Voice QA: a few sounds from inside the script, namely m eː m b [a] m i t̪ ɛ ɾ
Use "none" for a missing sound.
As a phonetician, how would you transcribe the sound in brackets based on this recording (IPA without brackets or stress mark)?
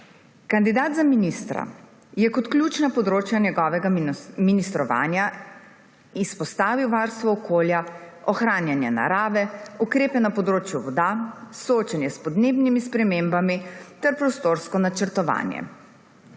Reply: a